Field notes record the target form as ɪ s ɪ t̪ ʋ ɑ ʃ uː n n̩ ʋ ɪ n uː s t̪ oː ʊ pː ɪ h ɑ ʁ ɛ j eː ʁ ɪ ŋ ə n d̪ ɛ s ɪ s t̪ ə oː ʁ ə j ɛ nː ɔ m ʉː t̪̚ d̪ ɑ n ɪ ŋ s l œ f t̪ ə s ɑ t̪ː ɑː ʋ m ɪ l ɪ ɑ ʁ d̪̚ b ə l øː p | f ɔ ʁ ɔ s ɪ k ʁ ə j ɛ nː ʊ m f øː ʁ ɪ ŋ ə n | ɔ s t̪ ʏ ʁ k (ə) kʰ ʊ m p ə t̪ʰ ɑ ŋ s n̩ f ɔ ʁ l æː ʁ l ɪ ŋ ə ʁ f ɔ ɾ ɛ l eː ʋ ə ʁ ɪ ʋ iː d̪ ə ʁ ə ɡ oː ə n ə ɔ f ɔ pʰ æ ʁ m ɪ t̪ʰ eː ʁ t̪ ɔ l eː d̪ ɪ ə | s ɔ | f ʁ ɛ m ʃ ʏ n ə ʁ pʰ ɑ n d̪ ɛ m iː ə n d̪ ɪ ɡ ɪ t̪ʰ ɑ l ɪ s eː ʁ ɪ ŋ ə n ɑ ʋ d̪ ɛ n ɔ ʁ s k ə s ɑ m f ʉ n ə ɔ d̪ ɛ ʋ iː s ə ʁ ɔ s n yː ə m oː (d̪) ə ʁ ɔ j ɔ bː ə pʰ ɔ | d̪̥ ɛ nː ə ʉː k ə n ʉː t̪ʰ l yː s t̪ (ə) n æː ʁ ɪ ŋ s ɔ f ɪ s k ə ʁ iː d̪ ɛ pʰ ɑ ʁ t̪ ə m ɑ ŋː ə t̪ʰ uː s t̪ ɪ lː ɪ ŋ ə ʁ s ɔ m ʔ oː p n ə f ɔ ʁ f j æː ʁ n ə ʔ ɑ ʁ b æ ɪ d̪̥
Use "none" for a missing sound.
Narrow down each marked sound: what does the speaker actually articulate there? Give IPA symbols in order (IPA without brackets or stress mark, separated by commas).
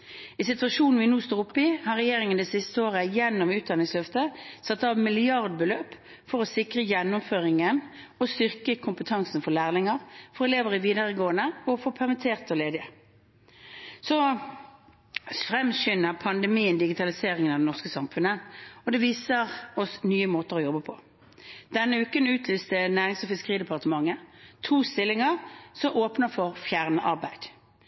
ə, t̪, ə